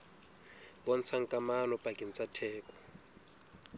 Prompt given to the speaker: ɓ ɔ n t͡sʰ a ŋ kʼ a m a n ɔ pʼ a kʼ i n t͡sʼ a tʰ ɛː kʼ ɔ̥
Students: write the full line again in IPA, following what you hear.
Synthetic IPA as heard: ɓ ɔ n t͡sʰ a ŋ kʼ a m a n ɔ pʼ a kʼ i n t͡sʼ a tʰ ɛː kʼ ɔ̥

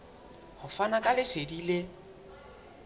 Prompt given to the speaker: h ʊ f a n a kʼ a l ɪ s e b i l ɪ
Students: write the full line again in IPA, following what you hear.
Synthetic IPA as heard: h ʊ f a n a kʼ a l ɪ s e d i l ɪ

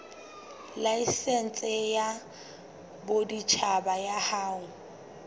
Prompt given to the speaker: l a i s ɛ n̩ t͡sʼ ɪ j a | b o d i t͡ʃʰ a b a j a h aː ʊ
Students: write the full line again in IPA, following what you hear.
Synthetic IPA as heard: l a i s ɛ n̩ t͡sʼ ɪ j a | b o d i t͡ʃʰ a b a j a h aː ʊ

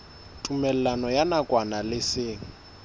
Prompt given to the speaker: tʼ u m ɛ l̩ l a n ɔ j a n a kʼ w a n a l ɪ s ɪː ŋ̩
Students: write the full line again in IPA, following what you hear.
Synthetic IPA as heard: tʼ u m ɛ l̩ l a n ɔ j a n a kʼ w a n a l ɪ s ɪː ŋ̩

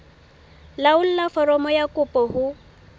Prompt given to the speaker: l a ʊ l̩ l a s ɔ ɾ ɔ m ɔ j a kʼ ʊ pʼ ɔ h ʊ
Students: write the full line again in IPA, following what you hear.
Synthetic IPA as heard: l a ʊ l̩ l a f ɔ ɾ ɔ m ɔ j a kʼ ʊ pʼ ɔ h ʊ

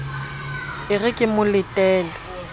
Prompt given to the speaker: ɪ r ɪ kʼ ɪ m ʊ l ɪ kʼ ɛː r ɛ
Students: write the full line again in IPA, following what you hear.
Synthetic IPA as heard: ɪ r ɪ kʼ ɪ m ʊ l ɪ tʼ ɛː l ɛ

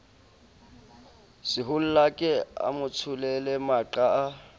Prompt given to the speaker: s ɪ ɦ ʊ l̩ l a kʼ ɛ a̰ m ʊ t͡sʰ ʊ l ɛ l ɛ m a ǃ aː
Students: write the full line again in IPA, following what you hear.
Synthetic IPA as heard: s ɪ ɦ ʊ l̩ l a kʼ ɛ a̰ m ʊ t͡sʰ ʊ l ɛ l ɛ m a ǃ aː

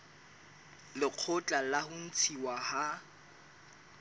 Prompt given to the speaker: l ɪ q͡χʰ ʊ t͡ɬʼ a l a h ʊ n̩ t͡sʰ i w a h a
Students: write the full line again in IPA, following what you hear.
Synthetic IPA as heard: l ɪ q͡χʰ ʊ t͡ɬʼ a l a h ʊ n̩ t͡sʰ i w a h a

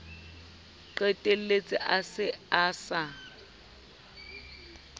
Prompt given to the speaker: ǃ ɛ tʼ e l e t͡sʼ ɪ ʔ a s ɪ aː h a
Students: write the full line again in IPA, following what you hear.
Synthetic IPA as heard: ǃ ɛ tʼ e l e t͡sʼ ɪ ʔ a s ɪ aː s a

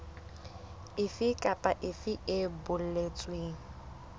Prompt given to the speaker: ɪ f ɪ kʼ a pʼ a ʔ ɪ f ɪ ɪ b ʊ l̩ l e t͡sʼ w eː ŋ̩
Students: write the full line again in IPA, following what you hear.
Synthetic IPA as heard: ɪ f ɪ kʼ a pʼ a ʔ ɪ f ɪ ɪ b ʊ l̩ l e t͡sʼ w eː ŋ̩

